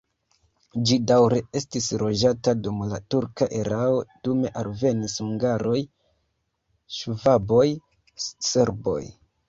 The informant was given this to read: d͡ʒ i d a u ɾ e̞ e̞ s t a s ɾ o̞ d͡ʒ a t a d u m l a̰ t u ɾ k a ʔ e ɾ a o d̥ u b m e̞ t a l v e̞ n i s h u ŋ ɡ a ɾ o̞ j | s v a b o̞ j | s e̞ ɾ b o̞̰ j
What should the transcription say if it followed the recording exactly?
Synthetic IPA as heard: d͡ʒ i d a w ɾ e̞ e̞ s t i s ɾ o̞ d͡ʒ a t a d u m l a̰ t u ɾ k a ʔ e ɾ a o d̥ u m e̞ ʔ a l v e̞ n i s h u ŋ ɡ a ɾ o̞ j | ʃ v a b o̞ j | s e̞ ɾ b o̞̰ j